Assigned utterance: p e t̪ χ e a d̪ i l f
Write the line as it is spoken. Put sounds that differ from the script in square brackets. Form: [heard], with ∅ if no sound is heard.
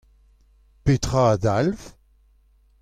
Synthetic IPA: p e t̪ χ [a] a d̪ [a] l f